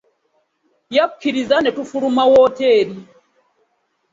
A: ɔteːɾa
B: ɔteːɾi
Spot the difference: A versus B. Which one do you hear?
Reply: B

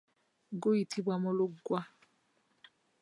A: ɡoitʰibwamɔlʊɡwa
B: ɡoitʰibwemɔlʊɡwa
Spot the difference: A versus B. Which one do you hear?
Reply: A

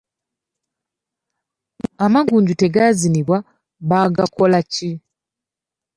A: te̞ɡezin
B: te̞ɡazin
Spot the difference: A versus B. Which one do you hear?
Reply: B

